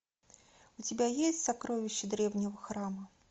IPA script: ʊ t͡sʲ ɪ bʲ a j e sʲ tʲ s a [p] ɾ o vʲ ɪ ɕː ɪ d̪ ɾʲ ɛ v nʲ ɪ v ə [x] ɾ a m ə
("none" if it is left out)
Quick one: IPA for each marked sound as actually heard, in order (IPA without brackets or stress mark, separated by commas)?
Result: k, x